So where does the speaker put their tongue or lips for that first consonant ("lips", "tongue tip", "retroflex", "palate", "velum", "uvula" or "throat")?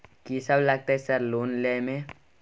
velum